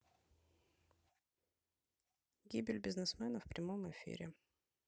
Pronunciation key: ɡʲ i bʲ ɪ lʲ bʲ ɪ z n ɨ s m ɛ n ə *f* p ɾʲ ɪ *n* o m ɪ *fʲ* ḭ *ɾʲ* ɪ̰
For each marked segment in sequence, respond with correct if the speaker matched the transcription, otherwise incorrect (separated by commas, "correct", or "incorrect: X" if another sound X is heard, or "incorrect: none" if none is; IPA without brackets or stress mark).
correct, incorrect: m, correct, correct